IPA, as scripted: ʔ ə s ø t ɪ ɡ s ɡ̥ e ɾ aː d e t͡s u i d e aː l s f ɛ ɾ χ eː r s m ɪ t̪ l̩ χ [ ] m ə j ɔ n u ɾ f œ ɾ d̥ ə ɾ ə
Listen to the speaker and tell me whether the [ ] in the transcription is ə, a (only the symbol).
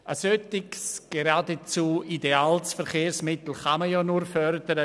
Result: a